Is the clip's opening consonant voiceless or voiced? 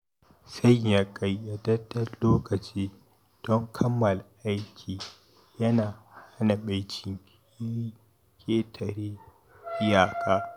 voiceless